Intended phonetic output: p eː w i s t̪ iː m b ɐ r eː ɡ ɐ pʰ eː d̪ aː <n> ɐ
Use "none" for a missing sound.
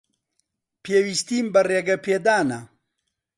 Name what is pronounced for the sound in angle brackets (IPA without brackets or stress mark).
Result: n